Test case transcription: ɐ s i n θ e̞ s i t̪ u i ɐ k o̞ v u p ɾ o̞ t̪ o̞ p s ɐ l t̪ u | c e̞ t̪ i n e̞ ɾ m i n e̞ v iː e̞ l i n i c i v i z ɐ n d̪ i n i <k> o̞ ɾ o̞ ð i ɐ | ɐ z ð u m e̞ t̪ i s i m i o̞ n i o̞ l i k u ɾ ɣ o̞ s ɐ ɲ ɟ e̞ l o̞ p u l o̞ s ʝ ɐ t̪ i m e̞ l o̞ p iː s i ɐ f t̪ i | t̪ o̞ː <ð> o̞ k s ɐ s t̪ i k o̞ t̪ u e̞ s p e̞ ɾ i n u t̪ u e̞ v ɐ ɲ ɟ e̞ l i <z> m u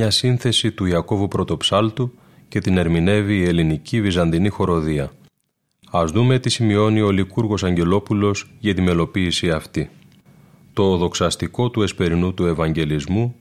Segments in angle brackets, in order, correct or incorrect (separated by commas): incorrect, correct, correct